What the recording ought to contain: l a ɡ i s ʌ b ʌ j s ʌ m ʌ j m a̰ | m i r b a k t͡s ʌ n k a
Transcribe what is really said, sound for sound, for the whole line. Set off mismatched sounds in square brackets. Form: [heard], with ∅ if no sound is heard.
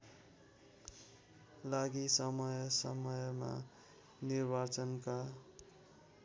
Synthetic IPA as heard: l a ɡ i s ʌ [m] ʌ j s ʌ m ʌ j m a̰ | [n] i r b a [∅] t͡s ʌ n k a